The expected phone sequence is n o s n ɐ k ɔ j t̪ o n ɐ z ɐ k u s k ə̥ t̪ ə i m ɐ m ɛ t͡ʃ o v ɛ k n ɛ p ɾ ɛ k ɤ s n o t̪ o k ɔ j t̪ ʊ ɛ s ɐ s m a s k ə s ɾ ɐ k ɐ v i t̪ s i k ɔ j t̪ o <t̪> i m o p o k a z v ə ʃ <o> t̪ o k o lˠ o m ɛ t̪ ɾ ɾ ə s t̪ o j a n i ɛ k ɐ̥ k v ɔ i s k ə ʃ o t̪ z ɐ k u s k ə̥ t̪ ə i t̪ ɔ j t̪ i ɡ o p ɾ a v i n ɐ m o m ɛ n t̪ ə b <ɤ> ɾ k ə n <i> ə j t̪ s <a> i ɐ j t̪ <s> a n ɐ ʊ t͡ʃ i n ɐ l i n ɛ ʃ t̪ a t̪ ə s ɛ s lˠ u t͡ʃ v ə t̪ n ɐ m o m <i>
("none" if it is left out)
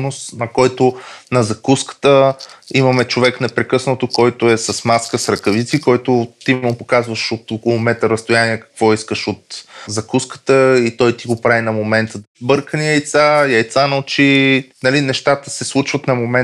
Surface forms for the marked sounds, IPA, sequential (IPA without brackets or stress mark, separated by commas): t̪, o, ɤ, i, a, s, ɛ